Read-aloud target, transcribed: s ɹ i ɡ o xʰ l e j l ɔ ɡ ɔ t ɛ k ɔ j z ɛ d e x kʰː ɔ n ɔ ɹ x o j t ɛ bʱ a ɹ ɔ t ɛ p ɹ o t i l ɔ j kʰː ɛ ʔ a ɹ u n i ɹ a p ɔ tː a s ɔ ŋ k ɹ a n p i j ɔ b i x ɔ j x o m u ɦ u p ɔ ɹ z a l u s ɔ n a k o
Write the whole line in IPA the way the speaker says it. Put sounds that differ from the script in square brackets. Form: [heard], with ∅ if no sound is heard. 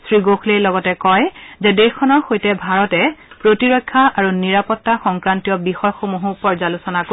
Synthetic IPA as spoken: s ɹ i ɡ o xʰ l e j l ɔ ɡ ɔ t ɛ k ɔ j z ɛ d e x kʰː ɔ n ɔ ɹ x o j t ɛ bʱ a ɹ ɔ t ɛ p ɹ o t i [ɹ] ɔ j kʰː [a] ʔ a ɹ u n i ɹ a p ɔ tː a [x] ɔ ŋ k ɹ a n [t] i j ɔ b i x ɔ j x o m u ɦ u p ɔ ɹ z a l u s ɔ n a k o

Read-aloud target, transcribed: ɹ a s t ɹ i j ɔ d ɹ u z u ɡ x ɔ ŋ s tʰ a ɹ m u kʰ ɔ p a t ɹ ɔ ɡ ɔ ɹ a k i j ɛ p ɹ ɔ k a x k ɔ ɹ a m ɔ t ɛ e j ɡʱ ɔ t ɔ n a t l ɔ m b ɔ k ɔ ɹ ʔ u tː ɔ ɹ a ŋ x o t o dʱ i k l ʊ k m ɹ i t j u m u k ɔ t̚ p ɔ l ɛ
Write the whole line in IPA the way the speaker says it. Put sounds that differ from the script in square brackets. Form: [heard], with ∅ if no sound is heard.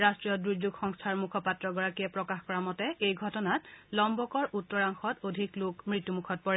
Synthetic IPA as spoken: ɹ a s t ɹ i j ɔ d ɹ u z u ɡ x ɔ ŋ s tʰ a ɹ m u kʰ ɔ p a t ɹ ɔ ɡ ɔ ɹ a k i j ɛ p ɹ ɔ k a x k ɔ ɹ a m ɔ t ɛ e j ɡʱ ɔ t ɔ n a t l ɔ m b ɔ k ɔ ɹ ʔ u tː ɔ ɹ a ŋ x [ɔ] t o dʱ i k l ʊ k m ɹ i t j u m u [kʰ] ɔ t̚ p ɔ [ɹ] ɛ

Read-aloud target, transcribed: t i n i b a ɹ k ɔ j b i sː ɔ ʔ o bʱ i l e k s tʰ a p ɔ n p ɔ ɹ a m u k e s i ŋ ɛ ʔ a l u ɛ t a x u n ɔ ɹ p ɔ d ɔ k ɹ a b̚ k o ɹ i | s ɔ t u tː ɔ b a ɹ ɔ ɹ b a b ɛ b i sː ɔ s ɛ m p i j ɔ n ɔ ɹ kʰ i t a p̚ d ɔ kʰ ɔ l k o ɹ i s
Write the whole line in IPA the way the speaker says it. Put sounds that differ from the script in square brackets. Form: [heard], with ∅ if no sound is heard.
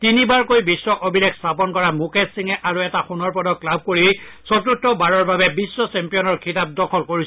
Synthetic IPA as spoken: t i n i b a ɹ k [o] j b i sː ɔ ʔ o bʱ i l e k s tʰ a p ɔ n [k] ɔ ɹ a m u k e s i ŋ ɛ ʔ a [ɹ] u ɛ t a x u n ɔ ɹ p ɔ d ɔ k [l] a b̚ k o ɹ i | s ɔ t u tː ɔ b a ɹ ɔ ɹ b a b ɛ b i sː ɔ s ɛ m p i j ɔ n ɔ ɹ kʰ i t a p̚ d ɔ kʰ ɔ l k o ɹ i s

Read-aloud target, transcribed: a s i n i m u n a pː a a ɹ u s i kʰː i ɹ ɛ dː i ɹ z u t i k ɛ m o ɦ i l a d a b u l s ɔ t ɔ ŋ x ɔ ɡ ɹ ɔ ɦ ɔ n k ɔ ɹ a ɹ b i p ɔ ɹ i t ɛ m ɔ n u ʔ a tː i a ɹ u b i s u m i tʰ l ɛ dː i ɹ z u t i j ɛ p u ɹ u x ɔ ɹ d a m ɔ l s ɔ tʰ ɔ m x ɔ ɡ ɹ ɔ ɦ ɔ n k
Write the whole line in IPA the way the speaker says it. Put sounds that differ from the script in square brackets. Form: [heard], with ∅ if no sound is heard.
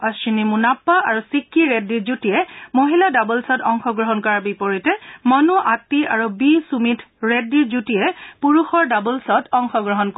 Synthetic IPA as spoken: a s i n i m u n a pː a a ɹ u s i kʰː i ɹ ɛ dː i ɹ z u t i [∅] ɛ m o ɦ i l a d a b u l s ɔ t ɔ ŋ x ɔ ɡ ɹ ɔ ɦ ɔ n k ɔ ɹ a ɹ b i p ɔ ɹ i t ɛ m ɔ n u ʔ a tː i a ɹ u b i s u m i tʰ [ɹ] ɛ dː i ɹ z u t i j ɛ p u ɹ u x ɔ ɹ d a [b] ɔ l s ɔ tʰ ɔ [ŋ] x ɔ ɡ ɹ ɔ ɦ ɔ n k

